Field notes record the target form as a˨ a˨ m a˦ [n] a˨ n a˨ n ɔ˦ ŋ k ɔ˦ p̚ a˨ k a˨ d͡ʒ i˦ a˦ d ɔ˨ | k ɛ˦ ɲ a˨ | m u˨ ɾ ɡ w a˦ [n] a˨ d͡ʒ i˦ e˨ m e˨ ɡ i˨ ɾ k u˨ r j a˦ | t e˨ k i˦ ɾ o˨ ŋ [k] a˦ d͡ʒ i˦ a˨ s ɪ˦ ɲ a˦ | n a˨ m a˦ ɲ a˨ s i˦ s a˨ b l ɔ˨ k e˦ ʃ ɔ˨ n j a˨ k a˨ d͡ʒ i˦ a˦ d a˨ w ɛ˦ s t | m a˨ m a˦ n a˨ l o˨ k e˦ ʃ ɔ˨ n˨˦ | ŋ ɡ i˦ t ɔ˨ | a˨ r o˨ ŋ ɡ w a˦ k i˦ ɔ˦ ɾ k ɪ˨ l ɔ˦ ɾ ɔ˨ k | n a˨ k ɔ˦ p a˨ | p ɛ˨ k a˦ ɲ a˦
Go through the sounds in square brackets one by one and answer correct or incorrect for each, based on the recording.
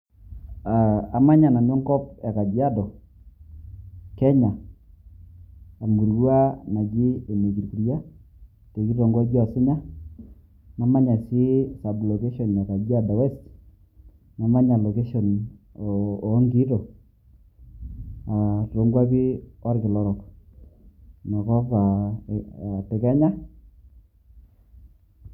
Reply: incorrect: ɲ, correct, incorrect: ɡ

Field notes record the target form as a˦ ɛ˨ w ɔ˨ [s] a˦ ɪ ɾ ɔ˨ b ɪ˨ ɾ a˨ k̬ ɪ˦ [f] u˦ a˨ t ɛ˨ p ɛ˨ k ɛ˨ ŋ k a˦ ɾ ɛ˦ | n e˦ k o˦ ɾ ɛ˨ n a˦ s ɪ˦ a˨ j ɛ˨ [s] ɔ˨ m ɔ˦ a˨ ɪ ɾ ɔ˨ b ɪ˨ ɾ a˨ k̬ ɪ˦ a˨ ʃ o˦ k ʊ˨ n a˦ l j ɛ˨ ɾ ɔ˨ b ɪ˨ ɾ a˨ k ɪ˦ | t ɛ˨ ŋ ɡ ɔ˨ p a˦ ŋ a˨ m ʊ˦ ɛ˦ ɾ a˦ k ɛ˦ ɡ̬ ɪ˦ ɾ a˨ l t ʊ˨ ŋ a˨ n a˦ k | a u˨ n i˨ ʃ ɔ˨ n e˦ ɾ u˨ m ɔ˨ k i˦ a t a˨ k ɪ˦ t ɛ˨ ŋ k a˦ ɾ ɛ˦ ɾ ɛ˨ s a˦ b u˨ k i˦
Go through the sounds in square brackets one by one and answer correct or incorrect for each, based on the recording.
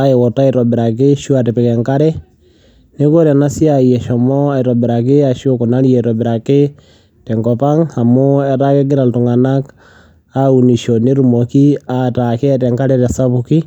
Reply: incorrect: t, incorrect: ʃ, incorrect: ʃ

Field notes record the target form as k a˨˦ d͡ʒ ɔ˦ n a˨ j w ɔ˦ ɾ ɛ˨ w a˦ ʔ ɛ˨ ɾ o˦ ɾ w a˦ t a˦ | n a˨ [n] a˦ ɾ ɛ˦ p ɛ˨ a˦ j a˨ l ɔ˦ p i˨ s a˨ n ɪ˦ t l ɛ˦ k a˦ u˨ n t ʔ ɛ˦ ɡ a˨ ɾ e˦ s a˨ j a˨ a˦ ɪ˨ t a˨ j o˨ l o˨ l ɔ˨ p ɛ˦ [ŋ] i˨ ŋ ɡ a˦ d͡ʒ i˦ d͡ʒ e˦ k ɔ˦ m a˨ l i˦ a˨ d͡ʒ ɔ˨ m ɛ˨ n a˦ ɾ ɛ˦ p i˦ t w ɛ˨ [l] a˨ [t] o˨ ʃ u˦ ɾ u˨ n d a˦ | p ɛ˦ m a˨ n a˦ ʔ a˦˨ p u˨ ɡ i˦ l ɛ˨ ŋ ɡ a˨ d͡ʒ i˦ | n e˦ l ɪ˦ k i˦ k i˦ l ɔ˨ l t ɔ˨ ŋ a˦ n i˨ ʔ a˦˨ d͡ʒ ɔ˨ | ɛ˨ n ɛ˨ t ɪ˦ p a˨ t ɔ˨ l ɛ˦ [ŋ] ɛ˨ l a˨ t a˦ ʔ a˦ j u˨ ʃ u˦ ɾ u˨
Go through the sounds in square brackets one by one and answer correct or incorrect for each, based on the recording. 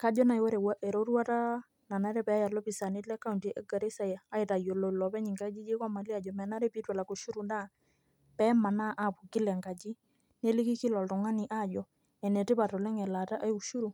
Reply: correct, incorrect: ɲ, correct, incorrect: k, correct

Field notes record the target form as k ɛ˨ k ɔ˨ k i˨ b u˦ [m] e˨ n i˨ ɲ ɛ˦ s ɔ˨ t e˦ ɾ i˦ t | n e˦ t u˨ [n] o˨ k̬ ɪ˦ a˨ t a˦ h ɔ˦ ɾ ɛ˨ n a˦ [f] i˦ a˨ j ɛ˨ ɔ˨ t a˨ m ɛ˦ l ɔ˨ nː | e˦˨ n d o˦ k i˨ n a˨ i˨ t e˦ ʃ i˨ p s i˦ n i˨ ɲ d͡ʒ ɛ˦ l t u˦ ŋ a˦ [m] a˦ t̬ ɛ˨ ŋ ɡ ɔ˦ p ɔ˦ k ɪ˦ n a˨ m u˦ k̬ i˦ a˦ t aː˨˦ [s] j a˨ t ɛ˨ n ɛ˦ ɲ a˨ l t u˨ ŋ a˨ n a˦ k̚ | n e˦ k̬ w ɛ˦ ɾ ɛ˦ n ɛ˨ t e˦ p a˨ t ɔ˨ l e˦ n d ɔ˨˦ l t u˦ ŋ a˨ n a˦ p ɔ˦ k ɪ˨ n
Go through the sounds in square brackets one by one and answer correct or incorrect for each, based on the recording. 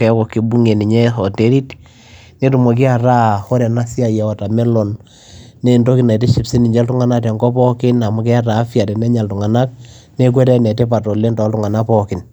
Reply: incorrect: ŋ, incorrect: m, incorrect: s, incorrect: n, incorrect: f

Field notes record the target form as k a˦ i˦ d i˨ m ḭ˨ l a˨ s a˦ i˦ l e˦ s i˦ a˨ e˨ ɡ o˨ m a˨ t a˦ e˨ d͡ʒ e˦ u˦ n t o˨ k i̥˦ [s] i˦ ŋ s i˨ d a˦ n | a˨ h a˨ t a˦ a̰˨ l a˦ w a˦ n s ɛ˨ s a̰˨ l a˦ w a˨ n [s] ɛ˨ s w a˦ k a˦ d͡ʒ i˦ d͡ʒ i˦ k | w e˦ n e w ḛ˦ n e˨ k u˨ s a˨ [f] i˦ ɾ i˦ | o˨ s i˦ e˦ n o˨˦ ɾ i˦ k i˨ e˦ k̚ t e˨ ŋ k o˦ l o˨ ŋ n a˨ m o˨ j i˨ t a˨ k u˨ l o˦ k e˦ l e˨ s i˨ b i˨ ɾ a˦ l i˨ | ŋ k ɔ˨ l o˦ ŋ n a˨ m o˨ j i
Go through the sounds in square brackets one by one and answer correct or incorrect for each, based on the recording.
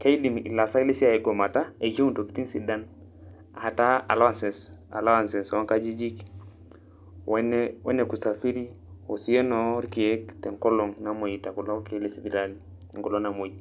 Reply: incorrect: t, correct, correct

